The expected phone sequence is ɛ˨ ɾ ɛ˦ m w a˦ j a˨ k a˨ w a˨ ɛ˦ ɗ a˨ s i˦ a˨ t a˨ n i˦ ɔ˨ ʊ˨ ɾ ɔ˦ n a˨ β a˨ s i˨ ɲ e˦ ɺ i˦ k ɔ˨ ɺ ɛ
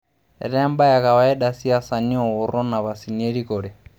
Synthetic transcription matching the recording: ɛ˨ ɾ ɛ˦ m b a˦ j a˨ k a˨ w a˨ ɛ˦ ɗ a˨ s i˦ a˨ s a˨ n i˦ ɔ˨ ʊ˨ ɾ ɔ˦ n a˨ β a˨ s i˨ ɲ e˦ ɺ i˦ k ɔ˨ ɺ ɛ